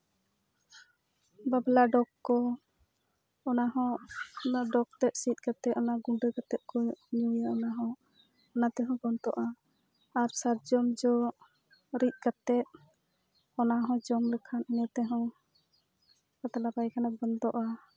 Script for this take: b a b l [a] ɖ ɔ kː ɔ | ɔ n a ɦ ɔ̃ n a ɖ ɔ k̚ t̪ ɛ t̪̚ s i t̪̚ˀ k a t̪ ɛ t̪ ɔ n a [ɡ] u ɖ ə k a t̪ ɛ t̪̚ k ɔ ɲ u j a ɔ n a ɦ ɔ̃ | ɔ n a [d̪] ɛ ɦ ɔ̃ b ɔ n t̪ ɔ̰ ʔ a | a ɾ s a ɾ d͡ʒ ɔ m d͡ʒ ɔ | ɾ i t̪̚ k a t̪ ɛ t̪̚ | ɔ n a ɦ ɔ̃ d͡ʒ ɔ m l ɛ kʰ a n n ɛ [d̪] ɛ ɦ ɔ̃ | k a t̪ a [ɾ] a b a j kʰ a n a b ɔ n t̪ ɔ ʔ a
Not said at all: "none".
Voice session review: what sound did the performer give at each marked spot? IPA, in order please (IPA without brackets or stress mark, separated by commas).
a, ɡ, t̪, t̪, l